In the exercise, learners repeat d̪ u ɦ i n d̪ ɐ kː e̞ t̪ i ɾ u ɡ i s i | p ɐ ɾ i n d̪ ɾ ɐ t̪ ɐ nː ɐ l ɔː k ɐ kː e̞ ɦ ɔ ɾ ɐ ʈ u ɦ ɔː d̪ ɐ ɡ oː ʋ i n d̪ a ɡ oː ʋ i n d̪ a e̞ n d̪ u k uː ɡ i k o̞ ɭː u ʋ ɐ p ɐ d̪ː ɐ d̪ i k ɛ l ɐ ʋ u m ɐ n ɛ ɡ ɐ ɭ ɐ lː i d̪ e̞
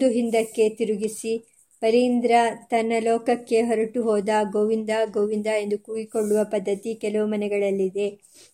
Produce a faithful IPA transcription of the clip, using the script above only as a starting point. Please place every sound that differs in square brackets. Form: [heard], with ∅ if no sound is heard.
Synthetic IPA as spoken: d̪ u ɦ i n d̪ ɐ kː e̞ t̪ i ɾ u ɡ i s i | p ɐ ɾ i n d̪ ɾ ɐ t̪ ɐ nː ɐ l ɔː k ɐ kː e̞ ɦ ɔ ɾ ɐ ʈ u ɦ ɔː d̪ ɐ ɡ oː ʋ i n d̪ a ɡ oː ʋ i n d̪ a e̞ n d̪ u k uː ɡ i k o̞ ɭː u ʋ ɐ p ɐ d̪ː ɐ [t̪] i k ɛ l ɐ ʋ u m ɐ n ɛ ɡ ɐ ɭ ɐ lː i d̪ e̞